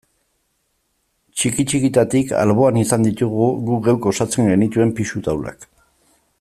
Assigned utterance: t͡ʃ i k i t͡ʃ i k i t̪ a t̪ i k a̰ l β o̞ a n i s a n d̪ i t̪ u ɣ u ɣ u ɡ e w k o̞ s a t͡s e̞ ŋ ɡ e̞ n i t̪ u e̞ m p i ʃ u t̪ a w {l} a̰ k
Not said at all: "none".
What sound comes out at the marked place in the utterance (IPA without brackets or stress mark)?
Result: l